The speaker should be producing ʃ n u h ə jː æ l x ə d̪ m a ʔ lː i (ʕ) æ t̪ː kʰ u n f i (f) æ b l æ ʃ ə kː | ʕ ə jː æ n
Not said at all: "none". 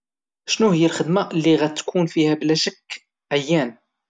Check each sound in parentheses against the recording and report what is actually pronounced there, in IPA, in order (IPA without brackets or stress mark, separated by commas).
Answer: ɣ, h